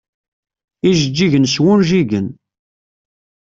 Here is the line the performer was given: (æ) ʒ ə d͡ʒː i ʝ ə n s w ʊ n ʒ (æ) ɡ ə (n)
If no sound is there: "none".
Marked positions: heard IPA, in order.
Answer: i, i, n

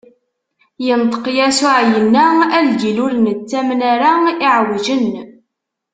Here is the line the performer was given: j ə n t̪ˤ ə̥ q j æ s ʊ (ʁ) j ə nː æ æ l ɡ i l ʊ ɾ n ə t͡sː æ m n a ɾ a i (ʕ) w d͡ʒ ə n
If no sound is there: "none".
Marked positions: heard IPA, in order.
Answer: ʕ, ʕ

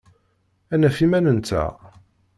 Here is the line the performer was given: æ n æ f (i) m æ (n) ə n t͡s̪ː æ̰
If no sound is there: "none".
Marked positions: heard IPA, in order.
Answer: i, n

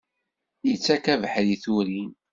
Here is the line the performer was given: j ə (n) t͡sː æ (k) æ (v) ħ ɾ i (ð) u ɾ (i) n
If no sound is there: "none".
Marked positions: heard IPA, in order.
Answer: none, k, v, θ, i

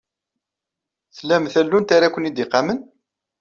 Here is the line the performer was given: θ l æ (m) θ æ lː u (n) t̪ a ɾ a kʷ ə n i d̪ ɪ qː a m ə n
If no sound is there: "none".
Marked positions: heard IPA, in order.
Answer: m, n

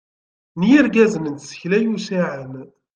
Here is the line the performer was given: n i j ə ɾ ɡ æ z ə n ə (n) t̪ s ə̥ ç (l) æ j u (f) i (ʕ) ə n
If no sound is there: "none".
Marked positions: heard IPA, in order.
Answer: n, l, s, ʕ

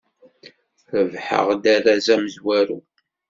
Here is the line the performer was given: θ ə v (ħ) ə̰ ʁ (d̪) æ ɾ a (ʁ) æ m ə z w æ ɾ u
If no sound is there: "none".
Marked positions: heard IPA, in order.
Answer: ħ, d̪, z

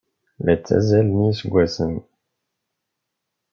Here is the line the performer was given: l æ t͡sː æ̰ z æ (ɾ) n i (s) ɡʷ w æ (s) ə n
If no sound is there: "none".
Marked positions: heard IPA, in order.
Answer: l, s, s

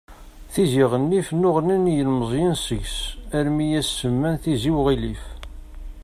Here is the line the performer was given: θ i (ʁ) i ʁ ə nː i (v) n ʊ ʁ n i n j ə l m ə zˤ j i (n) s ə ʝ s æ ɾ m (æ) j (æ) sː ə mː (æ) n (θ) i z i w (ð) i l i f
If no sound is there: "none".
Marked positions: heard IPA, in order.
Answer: z, f, n, i, æ, æ, θ, ʁ

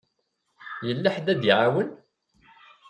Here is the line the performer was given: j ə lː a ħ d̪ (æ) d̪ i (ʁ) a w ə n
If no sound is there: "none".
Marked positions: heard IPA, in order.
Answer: æ, ʕ

